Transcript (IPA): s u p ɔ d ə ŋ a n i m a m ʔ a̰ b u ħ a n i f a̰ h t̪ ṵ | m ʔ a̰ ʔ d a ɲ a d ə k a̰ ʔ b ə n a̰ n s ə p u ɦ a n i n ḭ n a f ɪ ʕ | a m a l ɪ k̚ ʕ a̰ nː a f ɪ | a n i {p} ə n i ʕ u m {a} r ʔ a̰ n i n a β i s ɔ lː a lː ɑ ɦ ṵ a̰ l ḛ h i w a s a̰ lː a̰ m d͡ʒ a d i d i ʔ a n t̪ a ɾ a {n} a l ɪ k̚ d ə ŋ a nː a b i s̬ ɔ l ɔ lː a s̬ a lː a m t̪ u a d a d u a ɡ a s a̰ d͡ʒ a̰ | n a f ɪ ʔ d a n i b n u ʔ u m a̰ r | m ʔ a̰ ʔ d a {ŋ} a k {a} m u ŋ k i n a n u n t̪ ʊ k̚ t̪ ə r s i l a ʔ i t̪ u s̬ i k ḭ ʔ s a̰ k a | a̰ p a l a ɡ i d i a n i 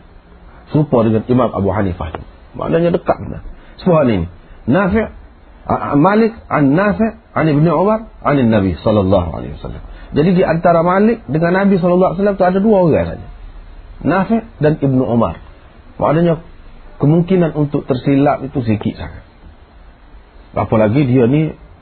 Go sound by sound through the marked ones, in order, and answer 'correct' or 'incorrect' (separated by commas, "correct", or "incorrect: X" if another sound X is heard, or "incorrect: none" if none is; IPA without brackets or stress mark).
incorrect: b, correct, incorrect: m, incorrect: ɲ, incorrect: ə